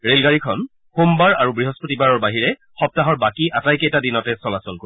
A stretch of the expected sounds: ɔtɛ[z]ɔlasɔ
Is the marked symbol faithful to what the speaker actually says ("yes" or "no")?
no